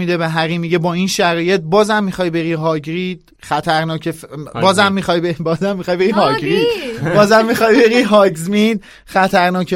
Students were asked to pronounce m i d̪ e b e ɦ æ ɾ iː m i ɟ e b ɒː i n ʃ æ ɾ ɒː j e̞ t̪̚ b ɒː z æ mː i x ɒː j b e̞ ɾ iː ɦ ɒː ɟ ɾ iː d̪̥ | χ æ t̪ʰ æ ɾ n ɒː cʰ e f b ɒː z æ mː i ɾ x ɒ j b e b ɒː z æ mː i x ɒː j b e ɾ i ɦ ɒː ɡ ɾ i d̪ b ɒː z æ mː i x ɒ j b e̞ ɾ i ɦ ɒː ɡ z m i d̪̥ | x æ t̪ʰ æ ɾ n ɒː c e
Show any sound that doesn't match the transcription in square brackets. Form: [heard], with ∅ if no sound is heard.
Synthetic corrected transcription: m i d̪ e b e ɦ æ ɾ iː m i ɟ e b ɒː i n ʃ æ ɾ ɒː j e̞ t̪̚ b ɒː z æ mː i x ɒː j b e̞ ɾ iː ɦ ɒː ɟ ɾ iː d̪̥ | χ æ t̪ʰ æ ɾ n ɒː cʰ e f b ɒː z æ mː i [∅] x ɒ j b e b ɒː z æ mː i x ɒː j b e ɾ i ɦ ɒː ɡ ɾ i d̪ b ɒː z æ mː i x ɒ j b e̞ ɾ i ɦ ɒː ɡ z m i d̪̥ | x æ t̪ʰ æ ɾ n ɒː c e